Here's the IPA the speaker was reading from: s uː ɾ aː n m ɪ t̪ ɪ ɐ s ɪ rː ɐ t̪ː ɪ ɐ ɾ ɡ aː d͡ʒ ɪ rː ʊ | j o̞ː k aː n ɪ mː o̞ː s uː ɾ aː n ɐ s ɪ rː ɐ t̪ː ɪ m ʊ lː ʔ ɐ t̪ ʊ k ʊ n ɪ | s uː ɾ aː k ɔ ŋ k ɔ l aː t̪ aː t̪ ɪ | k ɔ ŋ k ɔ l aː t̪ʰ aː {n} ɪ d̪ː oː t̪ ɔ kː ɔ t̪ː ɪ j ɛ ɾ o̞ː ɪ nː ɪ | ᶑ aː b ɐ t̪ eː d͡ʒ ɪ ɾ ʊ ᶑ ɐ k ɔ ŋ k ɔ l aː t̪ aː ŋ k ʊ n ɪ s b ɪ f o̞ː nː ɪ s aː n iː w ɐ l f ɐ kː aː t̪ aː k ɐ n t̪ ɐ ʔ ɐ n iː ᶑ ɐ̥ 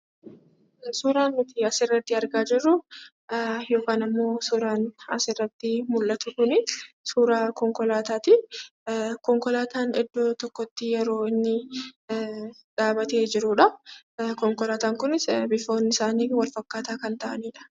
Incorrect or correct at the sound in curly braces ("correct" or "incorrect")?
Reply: correct